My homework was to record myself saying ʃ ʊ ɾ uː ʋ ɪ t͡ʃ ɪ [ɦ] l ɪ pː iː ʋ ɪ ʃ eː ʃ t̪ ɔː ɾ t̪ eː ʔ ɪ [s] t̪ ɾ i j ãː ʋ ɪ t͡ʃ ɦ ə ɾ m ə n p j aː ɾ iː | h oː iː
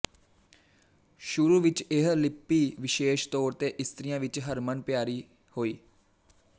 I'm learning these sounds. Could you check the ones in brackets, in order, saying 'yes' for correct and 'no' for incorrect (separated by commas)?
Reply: yes, yes